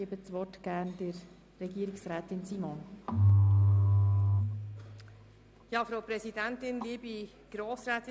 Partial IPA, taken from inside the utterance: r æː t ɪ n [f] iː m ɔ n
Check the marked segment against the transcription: incorrect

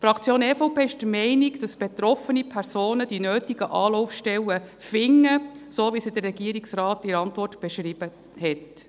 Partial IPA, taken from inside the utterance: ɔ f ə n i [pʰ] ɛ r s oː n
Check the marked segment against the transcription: correct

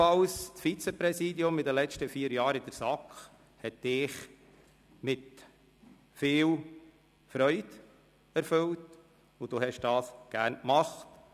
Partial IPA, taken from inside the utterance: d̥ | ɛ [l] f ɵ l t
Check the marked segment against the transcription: incorrect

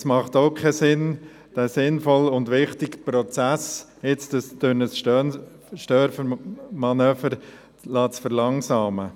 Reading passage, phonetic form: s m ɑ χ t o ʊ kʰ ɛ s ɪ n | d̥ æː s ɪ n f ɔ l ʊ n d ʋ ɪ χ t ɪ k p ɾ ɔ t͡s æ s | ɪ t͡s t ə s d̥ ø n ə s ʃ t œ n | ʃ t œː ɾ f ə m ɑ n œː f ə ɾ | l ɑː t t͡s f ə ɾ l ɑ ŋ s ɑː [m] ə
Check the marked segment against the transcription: correct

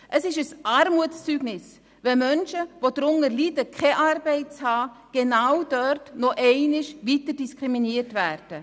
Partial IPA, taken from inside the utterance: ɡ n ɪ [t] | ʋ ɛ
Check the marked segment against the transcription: incorrect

